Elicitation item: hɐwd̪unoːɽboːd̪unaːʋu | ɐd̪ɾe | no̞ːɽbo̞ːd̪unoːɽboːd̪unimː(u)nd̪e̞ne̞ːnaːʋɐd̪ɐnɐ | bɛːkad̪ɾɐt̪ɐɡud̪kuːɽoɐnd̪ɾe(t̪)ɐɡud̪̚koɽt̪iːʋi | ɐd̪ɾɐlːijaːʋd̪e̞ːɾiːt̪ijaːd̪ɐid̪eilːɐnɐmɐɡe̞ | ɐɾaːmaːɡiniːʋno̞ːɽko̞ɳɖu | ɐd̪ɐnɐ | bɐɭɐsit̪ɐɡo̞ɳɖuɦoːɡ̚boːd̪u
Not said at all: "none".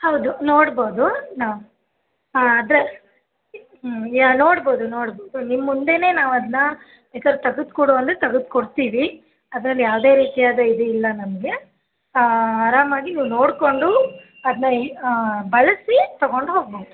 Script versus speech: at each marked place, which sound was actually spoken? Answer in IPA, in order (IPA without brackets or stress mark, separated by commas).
u, t̪